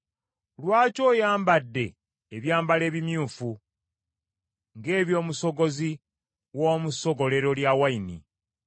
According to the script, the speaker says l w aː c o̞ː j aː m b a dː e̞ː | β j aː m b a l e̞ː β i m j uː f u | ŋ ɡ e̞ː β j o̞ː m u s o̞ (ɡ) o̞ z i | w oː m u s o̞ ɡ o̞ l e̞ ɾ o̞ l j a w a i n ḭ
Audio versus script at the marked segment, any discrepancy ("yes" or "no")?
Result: no